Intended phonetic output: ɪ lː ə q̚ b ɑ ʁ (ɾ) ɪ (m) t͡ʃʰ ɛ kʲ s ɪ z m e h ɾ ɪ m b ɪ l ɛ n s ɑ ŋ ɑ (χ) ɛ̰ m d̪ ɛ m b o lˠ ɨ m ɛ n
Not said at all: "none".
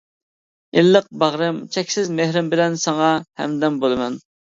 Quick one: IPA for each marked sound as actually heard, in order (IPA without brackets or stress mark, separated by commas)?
ɾ, m, h